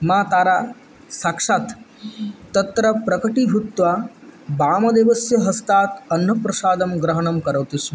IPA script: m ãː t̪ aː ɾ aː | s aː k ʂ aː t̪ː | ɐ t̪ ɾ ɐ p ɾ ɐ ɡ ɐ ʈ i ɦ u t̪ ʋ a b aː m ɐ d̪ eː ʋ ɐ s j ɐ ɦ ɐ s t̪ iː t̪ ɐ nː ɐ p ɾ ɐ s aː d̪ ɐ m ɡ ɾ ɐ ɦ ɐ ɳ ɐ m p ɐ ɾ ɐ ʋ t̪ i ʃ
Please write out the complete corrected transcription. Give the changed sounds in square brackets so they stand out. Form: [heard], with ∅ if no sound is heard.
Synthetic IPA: m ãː t̪ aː ɾ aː | s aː k ʂ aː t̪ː | ɐ t̪ ɾ ɐ p ɾ ɐ [k] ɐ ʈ i ɦ u t̪ ʋ a b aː m ɐ d̪ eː ʋ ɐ s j ɐ ɦ ɐ s t̪ [aː] t̪ ɐ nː ɐ p ɾ ɐ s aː d̪ ɐ m ɡ ɾ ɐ ɦ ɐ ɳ ɐ m [k] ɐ ɾ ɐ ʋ t̪ i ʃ